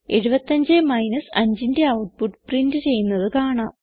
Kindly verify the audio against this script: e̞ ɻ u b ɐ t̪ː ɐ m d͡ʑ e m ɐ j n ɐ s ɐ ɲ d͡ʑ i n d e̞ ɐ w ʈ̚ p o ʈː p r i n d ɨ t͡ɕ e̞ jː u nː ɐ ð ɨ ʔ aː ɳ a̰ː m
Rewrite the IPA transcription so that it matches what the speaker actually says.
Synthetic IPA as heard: e̞ ɻ u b ɐ t̪ː ɐ ɲ d͡ʑ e m ɐ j n ɐ s ɐ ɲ d͡ʑ i n d e̞ ɐ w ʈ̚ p u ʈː p r i n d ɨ t͡ɕ e̞ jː u nː ɐ ð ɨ k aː ɳ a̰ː m